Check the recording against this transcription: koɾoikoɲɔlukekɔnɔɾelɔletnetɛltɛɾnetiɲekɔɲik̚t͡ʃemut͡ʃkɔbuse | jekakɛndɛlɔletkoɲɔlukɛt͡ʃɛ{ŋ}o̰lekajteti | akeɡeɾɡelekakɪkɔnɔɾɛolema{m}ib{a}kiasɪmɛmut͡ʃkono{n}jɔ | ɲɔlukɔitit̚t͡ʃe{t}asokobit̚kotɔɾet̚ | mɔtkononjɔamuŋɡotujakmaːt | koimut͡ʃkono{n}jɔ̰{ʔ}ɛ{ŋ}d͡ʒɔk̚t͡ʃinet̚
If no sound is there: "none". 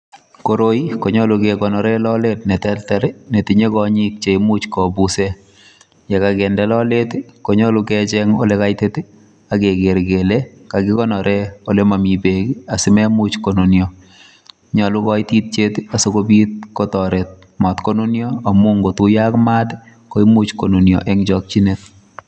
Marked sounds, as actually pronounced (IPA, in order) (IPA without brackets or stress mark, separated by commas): ŋ, m, e, n, t, n, ʔ, ŋ